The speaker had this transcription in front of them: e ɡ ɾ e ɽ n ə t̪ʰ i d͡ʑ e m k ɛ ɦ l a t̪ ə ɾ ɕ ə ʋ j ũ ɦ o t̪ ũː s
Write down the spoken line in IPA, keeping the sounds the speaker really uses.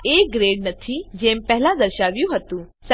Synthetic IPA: e ɡ ɾ e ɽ n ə t̪ʰ i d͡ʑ e m p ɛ ɦ l a d̪ ə ɾ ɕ a ʋ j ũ ɦ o t̪ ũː s